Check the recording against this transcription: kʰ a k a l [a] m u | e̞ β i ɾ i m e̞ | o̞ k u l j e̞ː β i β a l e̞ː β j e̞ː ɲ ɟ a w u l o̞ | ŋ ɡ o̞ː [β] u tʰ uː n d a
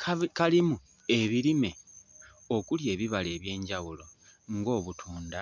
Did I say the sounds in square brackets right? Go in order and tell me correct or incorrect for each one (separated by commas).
incorrect, correct